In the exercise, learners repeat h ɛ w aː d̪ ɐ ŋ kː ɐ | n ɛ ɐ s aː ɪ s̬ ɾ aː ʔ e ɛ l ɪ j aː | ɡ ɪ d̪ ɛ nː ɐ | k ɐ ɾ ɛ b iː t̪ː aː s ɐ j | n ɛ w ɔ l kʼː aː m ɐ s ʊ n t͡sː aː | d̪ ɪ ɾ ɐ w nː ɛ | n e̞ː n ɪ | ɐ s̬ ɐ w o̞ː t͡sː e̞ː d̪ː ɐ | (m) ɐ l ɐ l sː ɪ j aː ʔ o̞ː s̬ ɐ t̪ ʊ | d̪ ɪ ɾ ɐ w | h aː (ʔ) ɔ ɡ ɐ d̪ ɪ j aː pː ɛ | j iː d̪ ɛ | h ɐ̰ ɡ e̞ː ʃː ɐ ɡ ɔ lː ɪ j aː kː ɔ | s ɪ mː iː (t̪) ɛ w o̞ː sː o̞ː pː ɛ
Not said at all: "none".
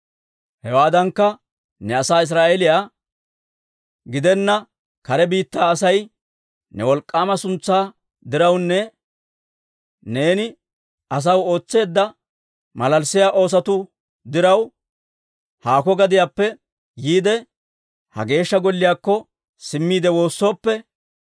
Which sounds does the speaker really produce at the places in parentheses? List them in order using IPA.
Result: m, k, d̪

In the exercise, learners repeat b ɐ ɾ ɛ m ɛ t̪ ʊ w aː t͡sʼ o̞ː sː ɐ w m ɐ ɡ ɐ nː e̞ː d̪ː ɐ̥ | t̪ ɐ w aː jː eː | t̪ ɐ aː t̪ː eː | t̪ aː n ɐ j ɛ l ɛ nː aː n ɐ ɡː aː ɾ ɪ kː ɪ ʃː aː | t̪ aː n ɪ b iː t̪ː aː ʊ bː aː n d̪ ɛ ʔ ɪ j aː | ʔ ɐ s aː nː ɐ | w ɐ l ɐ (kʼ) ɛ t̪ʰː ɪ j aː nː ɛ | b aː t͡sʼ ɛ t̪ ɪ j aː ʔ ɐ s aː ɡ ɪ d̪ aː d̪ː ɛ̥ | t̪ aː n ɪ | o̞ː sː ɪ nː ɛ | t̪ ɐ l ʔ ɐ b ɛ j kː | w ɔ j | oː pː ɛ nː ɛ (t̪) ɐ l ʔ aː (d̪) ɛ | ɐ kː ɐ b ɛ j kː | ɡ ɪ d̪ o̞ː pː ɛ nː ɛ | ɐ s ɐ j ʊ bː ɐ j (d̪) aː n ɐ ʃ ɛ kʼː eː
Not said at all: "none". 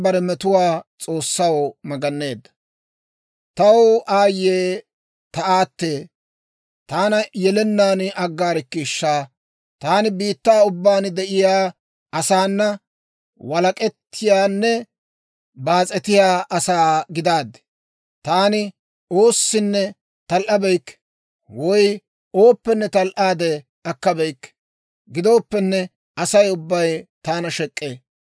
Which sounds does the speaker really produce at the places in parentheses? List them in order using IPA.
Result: kʼ, t̪, d̪, t̪

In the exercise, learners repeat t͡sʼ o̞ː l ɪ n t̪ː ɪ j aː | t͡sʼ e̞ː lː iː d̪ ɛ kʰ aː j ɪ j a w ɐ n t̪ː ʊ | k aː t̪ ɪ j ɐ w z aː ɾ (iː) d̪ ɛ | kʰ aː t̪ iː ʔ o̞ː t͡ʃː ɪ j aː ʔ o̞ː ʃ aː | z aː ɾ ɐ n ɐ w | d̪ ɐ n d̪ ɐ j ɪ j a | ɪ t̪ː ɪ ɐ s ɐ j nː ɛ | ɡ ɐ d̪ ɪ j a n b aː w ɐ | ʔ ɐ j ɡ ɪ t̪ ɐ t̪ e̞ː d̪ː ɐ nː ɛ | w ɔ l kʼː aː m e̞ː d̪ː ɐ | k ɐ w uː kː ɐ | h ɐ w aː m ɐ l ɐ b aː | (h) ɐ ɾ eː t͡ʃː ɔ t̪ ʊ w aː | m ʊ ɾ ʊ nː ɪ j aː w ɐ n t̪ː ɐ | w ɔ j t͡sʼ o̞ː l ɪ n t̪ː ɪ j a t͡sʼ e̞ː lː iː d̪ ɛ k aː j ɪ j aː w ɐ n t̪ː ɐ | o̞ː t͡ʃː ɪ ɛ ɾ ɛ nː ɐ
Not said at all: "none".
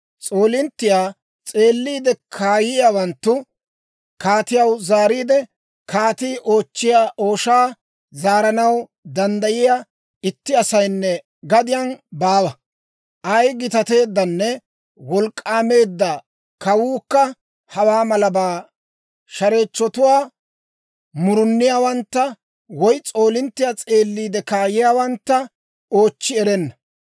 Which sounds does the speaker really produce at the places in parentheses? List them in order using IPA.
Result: iː, ʃ

